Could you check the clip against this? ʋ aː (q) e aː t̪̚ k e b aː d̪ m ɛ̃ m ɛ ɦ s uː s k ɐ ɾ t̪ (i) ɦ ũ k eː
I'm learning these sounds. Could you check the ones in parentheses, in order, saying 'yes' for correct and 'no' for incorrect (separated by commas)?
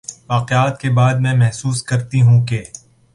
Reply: yes, yes